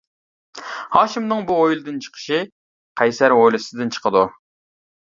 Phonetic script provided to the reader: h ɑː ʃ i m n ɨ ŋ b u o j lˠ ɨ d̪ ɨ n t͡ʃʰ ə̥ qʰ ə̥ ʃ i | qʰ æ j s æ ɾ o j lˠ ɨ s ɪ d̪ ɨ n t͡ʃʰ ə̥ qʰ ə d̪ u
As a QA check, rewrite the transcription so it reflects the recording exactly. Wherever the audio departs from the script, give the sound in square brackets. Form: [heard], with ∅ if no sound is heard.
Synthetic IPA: h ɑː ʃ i m n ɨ ŋ b u o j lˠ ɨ d̪ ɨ n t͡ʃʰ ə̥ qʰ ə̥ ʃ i | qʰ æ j s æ ɾ o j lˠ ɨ s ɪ d̪ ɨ n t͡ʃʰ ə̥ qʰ ə d̪ u

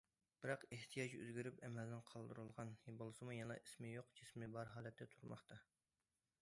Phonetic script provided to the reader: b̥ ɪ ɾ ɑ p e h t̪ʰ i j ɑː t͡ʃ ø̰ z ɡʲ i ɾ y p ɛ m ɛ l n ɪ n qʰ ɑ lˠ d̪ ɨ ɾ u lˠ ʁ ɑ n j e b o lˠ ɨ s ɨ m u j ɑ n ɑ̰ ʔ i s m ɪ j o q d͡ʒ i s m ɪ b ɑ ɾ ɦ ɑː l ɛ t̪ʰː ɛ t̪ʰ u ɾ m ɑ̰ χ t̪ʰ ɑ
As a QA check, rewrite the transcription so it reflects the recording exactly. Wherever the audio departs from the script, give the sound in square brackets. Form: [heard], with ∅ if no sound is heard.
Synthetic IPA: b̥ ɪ ɾ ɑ [q] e h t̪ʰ i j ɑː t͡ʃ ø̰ z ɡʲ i ɾ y p ɛ m ɛ l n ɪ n qʰ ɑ lˠ d̪ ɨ ɾ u lˠ ʁ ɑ n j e b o lˠ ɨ s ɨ m u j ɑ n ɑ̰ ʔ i s m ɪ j o q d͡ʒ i s m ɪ b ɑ ɾ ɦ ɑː l ɛ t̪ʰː ɛ t̪ʰ u ɾ m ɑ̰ χ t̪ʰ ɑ

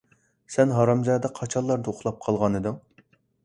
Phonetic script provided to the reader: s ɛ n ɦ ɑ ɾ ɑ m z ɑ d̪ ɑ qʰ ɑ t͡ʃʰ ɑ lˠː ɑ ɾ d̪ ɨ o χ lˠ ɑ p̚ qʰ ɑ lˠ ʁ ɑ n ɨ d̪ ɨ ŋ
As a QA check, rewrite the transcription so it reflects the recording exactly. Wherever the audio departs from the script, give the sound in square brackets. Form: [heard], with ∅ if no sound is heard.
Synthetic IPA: s ɛ n ɦ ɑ ɾ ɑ m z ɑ d̪ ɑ qʰ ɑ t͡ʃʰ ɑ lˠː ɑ ɾ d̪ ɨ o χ lˠ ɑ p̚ qʰ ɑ lˠ ʁ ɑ n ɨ d̪ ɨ ŋ

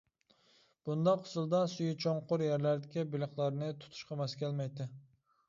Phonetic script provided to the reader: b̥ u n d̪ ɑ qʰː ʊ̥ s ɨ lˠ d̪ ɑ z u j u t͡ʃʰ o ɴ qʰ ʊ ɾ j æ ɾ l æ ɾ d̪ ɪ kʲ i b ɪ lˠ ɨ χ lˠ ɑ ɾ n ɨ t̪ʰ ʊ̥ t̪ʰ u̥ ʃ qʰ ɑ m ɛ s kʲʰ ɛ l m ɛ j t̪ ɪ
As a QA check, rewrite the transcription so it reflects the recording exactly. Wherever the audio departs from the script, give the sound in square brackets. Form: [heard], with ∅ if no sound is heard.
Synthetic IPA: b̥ u n d̪ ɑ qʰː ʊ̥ s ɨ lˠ d̪ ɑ [s] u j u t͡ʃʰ o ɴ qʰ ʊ ɾ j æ ɾ l æ ɾ d̪ ɪ kʲ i b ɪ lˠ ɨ χ lˠ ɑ ɾ n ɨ t̪ʰ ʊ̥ t̪ʰ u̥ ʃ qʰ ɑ m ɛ s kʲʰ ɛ l m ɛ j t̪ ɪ

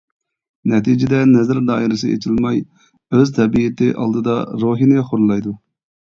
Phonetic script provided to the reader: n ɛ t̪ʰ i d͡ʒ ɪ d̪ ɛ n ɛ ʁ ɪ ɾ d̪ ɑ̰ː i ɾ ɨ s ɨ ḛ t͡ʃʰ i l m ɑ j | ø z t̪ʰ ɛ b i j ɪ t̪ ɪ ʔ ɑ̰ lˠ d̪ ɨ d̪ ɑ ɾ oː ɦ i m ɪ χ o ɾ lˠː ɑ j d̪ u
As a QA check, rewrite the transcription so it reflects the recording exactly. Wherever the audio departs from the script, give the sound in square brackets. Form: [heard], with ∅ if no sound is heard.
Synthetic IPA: n ɛ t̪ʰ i d͡ʒ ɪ d̪ ɛ n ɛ [z] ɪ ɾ d̪ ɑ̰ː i ɾ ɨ s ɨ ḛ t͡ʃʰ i l m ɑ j | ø z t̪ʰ ɛ b i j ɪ t̪ ɪ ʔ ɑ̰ lˠ d̪ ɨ d̪ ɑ ɾ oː ɦ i [n] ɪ χ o ɾ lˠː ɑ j d̪ u

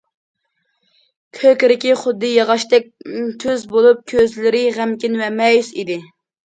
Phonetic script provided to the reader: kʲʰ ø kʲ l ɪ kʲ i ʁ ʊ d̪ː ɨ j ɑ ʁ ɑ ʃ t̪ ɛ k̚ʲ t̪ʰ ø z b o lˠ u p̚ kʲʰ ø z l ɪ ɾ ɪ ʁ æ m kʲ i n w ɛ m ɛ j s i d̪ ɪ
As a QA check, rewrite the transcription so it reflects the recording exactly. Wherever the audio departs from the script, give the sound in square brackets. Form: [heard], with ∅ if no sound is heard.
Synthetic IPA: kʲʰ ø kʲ [ɾ] ɪ kʲ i [χ] ʊ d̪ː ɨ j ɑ ʁ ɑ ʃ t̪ ɛ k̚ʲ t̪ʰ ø z b o lˠ u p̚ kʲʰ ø z l ɪ ɾ ɪ ʁ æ m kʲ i n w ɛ m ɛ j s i d̪ ɪ

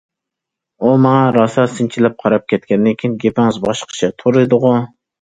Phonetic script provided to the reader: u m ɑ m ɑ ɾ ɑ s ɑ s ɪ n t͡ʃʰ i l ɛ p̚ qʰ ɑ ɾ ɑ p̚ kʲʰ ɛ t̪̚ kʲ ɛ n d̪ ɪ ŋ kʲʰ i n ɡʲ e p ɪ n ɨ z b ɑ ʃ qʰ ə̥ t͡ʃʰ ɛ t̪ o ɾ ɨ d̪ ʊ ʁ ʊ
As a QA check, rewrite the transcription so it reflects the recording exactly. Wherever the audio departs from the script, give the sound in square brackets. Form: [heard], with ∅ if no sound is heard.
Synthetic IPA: u m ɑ [ŋ] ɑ ɾ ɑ s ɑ s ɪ n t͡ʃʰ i l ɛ p̚ qʰ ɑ ɾ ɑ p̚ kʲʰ ɛ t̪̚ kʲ ɛ n d̪ ɪ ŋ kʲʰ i n ɡʲ e p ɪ [ŋ] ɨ z b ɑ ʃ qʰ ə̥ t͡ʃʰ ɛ [t̪ʰ] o ɾ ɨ d̪ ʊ ʁ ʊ

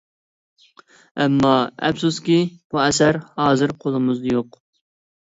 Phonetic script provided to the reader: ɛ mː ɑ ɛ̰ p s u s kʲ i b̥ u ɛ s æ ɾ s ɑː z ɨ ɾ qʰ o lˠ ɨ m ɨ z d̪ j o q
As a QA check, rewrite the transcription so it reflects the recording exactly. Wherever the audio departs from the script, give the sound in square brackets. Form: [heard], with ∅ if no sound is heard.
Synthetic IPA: ɛ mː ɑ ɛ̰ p s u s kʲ i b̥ u ɛ s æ ɾ [h] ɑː z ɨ ɾ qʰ o lˠ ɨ m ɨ z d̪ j o q

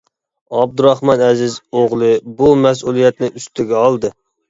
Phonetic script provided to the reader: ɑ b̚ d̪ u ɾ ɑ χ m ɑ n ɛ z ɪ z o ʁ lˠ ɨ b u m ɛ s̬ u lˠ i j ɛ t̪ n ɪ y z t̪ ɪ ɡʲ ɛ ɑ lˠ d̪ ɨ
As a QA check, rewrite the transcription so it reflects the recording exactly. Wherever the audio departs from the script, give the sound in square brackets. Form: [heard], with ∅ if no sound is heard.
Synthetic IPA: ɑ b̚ d̪ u ɾ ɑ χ m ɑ n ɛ z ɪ z o ʁ lˠ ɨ b u m ɛ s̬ u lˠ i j ɛ t̪ n ɪ y [s] t̪ ɪ ɡʲ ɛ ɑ lˠ d̪ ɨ

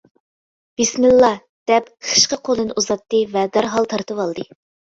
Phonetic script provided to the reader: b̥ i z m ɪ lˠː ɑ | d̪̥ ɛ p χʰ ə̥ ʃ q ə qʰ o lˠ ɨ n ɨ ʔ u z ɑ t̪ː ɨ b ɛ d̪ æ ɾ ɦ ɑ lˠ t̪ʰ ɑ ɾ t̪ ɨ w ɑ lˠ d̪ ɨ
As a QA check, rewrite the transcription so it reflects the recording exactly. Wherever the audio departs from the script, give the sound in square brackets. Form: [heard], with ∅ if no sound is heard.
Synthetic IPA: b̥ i [s] m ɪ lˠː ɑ | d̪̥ ɛ p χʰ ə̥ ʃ q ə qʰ o lˠ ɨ n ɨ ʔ u z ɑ t̪ː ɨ [v] ɛ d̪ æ ɾ ɦ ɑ lˠ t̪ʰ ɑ ɾ t̪ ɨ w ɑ lˠ d̪ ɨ

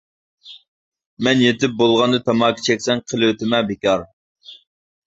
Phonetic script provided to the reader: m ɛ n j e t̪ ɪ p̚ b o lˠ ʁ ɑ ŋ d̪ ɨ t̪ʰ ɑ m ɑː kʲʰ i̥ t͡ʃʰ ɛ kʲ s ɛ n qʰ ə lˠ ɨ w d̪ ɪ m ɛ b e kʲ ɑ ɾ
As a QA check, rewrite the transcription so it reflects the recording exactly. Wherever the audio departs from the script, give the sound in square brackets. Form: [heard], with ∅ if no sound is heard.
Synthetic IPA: m ɛ n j e t̪ ɪ p̚ b o lˠ ʁ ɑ [n] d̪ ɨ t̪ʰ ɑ m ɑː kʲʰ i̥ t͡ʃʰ ɛ kʲ s ɛ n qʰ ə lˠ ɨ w [t̪] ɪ m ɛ b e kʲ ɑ ɾ

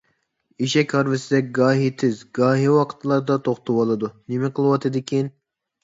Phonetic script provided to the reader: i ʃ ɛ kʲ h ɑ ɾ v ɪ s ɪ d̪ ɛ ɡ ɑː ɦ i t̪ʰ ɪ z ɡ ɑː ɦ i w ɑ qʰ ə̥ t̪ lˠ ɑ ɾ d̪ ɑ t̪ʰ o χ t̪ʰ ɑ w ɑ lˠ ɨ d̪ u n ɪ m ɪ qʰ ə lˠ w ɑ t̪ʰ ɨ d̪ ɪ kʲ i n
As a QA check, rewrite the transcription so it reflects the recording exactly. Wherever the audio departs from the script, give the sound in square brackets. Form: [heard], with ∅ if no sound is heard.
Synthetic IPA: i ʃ ɛ kʲ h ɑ ɾ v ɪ s ɪ d̪ ɛ ɡ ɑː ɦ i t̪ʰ ɪ z ɡ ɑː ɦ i w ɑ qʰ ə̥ t̪ lˠ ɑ ɾ d̪ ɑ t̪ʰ o χ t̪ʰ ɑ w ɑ lˠ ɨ d̪ u n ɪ m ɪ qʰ ə lˠ w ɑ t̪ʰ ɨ d̪ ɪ kʲ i n

